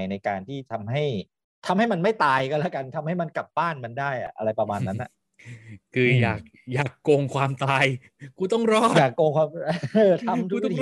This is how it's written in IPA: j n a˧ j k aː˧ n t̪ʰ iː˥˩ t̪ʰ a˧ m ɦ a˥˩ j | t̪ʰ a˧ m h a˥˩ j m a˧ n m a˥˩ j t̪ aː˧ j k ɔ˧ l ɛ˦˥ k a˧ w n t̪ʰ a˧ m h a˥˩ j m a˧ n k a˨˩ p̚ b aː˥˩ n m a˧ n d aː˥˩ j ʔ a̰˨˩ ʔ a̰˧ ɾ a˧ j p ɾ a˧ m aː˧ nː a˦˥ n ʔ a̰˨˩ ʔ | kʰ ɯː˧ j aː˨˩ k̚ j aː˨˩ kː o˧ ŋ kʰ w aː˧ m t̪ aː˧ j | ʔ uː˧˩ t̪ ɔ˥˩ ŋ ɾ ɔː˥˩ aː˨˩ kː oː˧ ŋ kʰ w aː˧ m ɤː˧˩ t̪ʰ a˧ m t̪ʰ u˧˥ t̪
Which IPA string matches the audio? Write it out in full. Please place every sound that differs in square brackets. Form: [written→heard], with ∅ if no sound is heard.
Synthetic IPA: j n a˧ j k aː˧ n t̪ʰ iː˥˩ t̪ʰ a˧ m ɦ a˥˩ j | t̪ʰ a˧ m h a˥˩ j m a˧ n m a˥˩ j t̪ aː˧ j k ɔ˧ l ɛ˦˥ k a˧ [w→∅] n t̪ʰ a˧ m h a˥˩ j m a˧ n k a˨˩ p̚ b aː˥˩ n m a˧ n d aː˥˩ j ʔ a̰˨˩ ʔ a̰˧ ɾ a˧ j p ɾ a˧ m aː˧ nː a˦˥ n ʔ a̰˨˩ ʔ | kʰ ɯː˧ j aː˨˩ k̚ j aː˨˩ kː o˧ ŋ kʰ w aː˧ m t̪ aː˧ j | [ʔ→k] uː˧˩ t̪ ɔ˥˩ ŋ ɾ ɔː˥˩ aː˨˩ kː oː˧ ŋ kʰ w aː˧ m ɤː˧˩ t̪ʰ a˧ m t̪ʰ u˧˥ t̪